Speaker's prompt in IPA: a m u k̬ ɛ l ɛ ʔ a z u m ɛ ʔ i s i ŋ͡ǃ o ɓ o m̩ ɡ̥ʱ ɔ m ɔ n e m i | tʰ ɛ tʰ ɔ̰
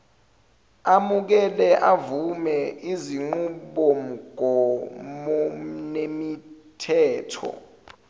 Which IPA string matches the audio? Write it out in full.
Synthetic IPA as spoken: a m u k̬ ɛ l ɛ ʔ a v u m ɛ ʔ i z i ŋ͡ǃ u ɓ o m̩ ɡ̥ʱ ɔ m ɔ n e m i | tʰ ɛː tʰ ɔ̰